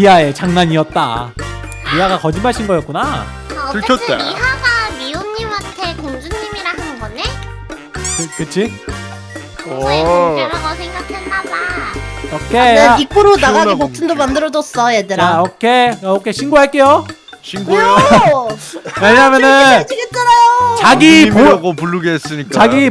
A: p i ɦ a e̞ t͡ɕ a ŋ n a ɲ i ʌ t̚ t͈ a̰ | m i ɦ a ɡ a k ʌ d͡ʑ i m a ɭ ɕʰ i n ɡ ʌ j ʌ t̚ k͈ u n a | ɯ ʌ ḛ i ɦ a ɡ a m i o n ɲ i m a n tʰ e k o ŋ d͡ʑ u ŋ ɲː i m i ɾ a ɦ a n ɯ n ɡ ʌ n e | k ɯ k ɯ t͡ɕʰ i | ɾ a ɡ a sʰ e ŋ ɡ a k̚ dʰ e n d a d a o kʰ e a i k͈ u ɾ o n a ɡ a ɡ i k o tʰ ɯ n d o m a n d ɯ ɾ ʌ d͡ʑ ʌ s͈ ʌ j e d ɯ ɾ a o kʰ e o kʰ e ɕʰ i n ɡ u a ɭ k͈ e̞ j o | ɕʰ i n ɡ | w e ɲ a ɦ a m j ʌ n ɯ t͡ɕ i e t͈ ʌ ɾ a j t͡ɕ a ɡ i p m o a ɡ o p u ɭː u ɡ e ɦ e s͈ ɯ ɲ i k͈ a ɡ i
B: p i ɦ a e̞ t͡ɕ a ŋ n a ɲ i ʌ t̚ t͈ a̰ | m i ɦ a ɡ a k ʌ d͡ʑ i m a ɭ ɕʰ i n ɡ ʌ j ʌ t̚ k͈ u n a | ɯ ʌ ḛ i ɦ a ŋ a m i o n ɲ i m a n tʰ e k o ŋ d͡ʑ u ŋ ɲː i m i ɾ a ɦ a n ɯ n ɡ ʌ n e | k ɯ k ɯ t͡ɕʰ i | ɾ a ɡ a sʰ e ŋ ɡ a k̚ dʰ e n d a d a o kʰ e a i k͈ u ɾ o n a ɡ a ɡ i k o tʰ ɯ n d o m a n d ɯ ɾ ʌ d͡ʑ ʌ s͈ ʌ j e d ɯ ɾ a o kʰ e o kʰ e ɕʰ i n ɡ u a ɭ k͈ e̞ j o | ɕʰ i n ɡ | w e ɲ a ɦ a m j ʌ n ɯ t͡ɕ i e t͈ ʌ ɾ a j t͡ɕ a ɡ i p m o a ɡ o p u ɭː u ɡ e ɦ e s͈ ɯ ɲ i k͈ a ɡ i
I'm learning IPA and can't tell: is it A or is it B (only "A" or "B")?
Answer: A